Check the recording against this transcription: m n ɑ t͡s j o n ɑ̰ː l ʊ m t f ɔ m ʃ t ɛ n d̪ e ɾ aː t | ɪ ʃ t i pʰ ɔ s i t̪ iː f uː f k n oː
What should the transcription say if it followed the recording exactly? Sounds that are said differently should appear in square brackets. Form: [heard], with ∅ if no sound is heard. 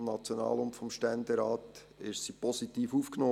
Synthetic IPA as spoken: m n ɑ t͡s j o n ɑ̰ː l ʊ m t f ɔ m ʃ t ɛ n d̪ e ɾ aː t | ɪ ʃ [s] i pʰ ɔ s i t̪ iː f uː f k n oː